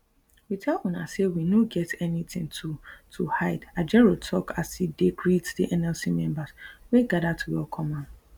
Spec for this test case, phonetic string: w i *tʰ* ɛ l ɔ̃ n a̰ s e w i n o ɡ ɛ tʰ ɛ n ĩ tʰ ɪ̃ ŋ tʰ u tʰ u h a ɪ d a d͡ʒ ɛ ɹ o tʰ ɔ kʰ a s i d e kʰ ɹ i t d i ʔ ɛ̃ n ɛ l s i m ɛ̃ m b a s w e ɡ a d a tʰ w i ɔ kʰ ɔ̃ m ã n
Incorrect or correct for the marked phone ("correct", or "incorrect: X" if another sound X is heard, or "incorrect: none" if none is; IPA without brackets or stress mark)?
correct